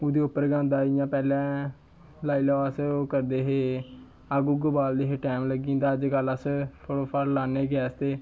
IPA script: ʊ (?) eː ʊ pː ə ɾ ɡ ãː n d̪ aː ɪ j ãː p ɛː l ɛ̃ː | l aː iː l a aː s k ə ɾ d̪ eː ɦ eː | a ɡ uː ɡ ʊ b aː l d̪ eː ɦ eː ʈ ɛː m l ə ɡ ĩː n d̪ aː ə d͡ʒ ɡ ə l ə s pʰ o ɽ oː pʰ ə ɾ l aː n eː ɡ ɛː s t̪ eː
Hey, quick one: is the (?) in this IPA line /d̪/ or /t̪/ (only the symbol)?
d̪